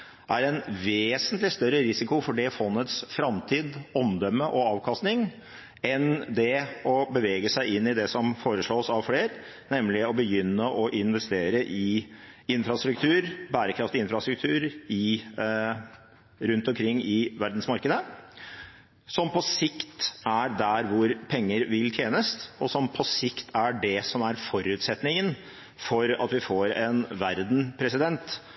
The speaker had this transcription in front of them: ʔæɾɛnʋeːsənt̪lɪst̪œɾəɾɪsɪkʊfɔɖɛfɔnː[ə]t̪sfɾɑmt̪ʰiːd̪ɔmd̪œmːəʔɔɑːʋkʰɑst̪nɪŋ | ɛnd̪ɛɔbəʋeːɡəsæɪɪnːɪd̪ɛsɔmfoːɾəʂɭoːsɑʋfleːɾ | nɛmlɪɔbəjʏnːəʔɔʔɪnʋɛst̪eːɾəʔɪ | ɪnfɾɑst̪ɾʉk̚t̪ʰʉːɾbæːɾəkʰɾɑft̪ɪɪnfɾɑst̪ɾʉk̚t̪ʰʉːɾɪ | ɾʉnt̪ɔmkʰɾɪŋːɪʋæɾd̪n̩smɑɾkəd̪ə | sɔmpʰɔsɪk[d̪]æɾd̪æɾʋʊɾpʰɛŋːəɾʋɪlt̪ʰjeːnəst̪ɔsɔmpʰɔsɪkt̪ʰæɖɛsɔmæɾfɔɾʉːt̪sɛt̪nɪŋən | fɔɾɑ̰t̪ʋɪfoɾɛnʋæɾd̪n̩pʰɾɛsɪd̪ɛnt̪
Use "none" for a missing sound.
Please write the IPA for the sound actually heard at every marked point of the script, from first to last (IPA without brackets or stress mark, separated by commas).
ə, t̪